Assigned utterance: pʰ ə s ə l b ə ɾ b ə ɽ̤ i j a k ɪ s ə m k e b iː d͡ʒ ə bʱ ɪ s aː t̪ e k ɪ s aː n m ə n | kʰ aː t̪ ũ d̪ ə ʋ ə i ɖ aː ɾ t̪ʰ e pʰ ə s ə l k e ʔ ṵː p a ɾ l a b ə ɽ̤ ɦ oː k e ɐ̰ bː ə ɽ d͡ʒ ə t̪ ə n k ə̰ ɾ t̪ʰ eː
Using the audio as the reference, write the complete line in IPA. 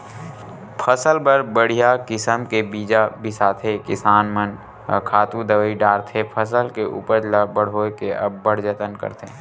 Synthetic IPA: pʰ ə s ə l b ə ɾ b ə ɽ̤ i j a k ɪ s ə m k e b iː d͡ʒ a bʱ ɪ s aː t̪ʰ e k ɪ s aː n m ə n | kʰ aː t̪ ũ d̪ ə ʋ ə i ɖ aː ɾ t̪ʰ e pʰ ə s ə l k e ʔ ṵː p ə ɾ l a b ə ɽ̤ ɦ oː k e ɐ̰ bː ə ɽ d͡ʒ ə t̪ ə n k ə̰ ɾ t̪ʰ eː